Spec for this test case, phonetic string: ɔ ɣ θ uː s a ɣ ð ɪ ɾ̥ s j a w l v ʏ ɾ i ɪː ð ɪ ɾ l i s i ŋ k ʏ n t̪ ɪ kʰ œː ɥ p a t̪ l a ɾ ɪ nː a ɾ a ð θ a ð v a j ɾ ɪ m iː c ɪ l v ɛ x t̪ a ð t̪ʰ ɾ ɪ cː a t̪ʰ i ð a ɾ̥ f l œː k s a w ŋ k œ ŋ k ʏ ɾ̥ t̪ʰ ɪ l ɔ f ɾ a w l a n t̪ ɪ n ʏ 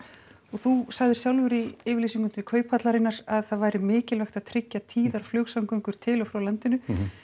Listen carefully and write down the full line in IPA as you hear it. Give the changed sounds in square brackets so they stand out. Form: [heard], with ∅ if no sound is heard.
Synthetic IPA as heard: ɔ ɣ θ [u] s a ɣ ð ɪ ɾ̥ s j a w l v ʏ ɾ i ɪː [v] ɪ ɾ l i s i ŋ k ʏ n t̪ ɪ kʰ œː ɥ p a t̪ l a ɾ ɪ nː a ɾ a ð θ a ð v a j ɾ ɪ m [ɪː] c ɪ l v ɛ x t̪ a ð t̪ʰ ɾ ɪ cː a t̪ʰ [iː] ð a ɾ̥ f l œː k s a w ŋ k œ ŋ k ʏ ɾ̥ t̪ʰ ɪ l ɔ f ɾ a w l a n t̪ ɪ n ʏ

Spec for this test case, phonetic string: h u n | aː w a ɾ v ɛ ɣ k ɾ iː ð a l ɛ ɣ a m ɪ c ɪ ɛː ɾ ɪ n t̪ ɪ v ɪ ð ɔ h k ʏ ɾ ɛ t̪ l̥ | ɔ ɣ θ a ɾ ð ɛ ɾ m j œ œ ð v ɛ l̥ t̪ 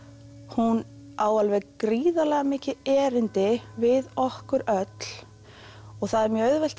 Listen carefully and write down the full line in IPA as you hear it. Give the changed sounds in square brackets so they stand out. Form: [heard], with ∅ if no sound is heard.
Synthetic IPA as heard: h u n | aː w a [l] v ɛ ɣ k ɾ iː ð a l ɛ ɣ a m [ɪː] c ɪ ɛː ɾ ɪ n t̪ ɪ v ɪ ð ɔ h k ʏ ɾ [œ] t̪ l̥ | ɔ ɣ θ a [∅] ð ɛ ɾ m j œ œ ð v ɛ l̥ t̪

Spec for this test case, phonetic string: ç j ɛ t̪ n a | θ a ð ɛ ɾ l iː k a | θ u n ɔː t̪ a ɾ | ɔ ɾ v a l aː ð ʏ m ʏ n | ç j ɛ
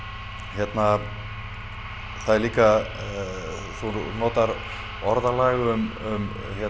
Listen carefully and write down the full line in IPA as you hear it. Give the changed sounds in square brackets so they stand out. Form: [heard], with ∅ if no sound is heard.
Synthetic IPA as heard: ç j ɛ t̪ n a | θ a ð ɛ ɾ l iː k a | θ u n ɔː t̪ a ɾ | ɔ ɾ [ð] a l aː [ɣ] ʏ m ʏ [m] | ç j ɛ

